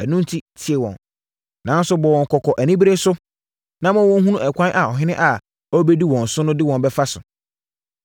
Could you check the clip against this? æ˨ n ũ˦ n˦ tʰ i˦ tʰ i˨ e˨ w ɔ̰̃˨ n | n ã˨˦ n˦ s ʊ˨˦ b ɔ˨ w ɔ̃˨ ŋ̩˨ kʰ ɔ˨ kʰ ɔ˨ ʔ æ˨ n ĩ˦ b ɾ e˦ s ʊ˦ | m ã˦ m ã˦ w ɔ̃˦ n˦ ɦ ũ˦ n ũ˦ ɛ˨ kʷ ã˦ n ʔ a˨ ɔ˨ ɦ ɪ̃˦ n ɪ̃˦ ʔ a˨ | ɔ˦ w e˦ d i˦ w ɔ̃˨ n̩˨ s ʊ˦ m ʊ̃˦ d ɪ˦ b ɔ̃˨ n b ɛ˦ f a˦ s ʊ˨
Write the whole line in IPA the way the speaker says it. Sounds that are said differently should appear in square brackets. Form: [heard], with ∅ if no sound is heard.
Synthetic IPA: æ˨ n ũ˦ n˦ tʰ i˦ tʰ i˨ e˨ w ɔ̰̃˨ n | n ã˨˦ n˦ s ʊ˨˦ b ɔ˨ w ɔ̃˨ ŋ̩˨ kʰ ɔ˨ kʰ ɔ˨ ʔ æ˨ n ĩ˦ b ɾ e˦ s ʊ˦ | [n] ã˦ m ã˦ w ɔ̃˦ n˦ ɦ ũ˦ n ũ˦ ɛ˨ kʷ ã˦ n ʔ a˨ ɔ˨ ɦ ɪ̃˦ n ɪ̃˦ ʔ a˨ | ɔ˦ [b] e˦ d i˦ w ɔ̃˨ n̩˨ s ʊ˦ [n] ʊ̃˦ d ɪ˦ [w] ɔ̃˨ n b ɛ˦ f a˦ s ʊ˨